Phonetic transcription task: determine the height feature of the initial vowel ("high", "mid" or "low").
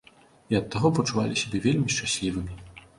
high